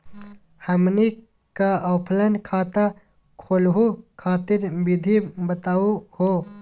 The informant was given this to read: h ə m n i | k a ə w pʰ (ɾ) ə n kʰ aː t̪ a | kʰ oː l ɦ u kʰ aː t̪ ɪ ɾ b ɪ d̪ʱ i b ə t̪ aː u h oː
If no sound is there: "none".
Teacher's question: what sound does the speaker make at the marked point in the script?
l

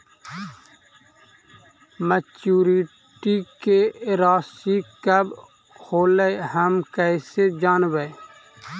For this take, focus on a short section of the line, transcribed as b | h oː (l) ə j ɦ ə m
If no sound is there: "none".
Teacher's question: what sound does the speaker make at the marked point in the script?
l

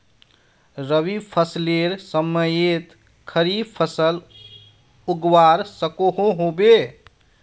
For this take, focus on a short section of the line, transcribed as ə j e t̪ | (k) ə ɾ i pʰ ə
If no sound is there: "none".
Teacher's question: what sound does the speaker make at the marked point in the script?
kʰ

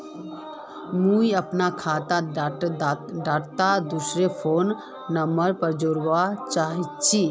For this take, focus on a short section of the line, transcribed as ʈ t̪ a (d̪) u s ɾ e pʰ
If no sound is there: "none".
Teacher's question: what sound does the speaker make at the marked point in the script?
d̪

